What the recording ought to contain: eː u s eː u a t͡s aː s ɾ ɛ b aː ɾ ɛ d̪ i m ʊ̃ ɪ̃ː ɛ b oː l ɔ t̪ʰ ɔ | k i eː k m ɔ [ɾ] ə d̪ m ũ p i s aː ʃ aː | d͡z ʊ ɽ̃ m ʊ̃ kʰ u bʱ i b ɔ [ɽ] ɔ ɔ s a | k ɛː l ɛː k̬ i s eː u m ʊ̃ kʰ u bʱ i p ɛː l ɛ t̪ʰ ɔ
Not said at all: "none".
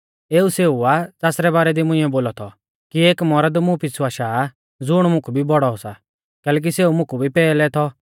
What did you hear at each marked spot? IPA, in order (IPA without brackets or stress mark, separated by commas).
ɾ, ɽ